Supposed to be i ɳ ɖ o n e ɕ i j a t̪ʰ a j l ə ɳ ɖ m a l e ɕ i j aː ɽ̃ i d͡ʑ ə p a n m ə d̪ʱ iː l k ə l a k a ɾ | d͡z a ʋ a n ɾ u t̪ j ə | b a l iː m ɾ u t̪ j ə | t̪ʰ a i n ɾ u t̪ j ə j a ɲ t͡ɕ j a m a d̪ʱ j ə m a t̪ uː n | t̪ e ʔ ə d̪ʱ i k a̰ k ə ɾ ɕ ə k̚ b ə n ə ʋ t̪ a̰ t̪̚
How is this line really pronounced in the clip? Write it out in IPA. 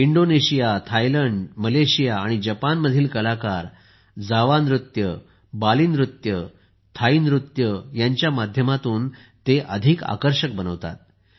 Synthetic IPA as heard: i ɳ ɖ o n e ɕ i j a t̪ʰ a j l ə ɳ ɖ m ə l e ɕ i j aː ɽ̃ i d͡ʑ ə p a n m ə d̪ʱ iː l k ə l a k a ɾ | d͡z a ʋ a n ɾ u t̪ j ə | b a l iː n ɾ u t̪ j ə | t̪ʰ a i n ɾ u t̪ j ə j a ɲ t͡ɕ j a m a d̪ʱ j ə m a t̪ uː n | t̪ e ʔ ə d̪ʱ i k a̰ k ə ɾ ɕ ə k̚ b ə n ə ʋ t̪ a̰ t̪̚